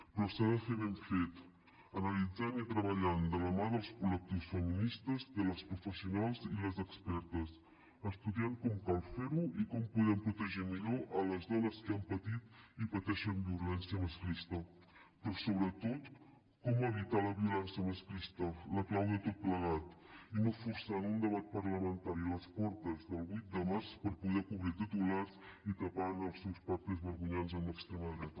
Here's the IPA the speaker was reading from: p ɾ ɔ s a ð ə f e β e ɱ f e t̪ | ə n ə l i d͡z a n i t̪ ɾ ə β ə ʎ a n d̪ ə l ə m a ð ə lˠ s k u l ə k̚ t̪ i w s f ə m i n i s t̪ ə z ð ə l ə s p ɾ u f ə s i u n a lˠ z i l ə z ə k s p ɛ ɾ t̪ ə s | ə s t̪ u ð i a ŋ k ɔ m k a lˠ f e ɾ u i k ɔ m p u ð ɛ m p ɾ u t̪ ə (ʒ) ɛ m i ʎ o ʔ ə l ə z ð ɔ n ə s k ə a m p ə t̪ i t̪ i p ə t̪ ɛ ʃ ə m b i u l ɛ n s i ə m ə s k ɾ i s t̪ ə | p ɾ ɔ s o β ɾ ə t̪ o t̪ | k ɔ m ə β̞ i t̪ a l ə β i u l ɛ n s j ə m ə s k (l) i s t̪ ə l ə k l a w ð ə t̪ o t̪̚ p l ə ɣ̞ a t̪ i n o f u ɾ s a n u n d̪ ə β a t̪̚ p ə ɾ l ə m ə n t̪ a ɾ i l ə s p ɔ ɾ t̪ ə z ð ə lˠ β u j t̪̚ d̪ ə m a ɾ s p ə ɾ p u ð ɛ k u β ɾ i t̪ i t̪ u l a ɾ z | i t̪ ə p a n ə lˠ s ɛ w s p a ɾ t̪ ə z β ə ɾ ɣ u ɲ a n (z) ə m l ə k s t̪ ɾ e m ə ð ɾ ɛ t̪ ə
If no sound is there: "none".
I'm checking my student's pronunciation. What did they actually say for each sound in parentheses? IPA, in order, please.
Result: ʒ, ɾ, z

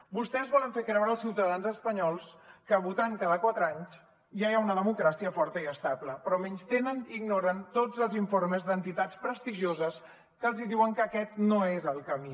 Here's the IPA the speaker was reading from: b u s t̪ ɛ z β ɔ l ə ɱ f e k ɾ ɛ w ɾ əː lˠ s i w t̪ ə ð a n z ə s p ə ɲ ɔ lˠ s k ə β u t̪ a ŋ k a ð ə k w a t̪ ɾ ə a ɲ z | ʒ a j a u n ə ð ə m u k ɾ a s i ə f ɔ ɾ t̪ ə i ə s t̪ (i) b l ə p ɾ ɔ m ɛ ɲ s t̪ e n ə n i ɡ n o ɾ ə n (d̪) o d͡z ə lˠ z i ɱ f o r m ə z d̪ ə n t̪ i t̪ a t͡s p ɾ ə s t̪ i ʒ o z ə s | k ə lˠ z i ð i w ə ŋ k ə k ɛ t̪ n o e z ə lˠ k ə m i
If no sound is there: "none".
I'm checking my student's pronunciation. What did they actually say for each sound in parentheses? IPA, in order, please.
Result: a, t̪

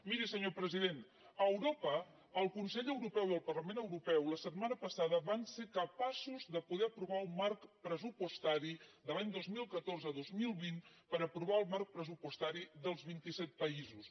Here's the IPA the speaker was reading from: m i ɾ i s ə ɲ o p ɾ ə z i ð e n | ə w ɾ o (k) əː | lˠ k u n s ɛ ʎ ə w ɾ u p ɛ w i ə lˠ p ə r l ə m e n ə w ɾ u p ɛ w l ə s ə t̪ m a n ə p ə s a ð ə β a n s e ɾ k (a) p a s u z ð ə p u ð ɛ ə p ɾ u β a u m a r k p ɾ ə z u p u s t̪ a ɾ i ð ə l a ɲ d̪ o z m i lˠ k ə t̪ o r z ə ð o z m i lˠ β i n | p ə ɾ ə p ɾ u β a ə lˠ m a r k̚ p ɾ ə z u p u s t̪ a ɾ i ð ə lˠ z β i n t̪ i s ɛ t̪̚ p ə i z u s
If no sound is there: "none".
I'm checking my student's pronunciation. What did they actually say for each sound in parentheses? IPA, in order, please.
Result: p, ə

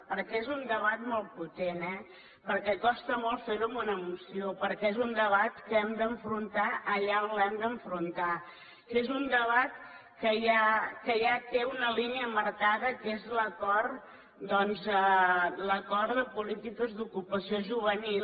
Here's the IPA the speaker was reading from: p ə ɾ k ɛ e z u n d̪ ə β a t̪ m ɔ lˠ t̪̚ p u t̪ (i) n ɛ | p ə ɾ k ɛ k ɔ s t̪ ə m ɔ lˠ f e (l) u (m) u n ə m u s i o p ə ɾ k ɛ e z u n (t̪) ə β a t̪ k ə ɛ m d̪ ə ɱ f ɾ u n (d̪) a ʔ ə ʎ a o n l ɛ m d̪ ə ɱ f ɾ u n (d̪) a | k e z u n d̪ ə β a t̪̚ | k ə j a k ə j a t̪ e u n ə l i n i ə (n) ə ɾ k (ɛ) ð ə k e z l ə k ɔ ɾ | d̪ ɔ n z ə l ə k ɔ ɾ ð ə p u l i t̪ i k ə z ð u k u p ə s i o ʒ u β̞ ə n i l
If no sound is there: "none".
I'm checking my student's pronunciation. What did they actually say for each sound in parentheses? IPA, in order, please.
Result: e, ɾ, m, d̪, t̪, t̪, m, a

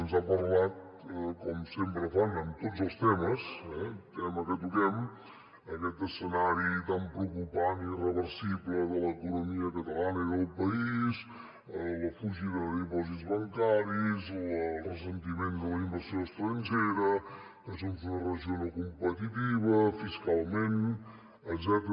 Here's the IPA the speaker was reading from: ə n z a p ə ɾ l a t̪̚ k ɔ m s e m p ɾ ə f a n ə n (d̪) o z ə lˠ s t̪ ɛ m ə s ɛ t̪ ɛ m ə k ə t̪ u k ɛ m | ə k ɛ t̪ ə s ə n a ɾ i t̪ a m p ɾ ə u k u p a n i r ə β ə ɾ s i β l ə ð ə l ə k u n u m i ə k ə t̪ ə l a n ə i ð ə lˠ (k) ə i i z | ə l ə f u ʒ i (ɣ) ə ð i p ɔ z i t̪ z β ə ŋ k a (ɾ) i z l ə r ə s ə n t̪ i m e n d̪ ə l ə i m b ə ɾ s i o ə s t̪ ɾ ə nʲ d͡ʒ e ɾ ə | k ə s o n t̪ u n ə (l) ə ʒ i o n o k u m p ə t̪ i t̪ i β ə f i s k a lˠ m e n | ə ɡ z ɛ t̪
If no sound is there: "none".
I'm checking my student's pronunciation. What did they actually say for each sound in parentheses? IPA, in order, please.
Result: t̪, p, ð, ɾ, r

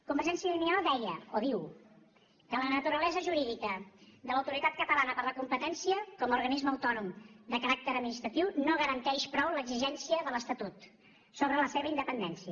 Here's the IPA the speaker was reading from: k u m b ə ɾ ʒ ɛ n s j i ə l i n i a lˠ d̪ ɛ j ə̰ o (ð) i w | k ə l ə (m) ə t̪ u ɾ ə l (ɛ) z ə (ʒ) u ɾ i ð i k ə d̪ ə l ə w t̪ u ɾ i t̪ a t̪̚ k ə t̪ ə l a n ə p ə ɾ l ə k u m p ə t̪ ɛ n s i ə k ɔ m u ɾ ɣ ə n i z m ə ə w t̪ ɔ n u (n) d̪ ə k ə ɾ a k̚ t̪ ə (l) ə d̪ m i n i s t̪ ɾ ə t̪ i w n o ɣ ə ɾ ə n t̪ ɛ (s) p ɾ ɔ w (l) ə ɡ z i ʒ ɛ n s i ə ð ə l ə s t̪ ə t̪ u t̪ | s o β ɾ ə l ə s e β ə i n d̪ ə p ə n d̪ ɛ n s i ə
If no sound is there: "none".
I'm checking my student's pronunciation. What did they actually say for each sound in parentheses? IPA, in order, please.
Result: ð, n, ɛ, ʒ, m, ɾ, ʃ, l

